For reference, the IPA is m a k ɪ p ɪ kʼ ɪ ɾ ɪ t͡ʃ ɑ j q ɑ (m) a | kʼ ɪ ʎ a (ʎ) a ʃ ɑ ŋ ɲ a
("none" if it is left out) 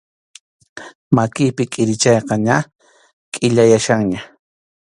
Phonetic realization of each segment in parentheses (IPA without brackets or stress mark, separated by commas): ɲ, j